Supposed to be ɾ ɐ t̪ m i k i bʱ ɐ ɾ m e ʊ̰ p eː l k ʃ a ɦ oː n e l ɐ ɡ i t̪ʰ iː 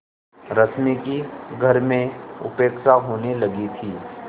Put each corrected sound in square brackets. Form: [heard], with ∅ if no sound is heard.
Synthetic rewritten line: ɾ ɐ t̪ m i k i [ɡʱ] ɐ ɾ m [ẽ] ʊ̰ p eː [∅] k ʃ a ɦ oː n e l ɐ ɡ i t̪ʰ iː